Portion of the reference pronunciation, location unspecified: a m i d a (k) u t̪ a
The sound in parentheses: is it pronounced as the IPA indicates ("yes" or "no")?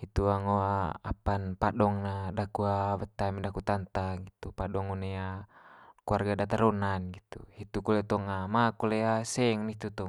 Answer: yes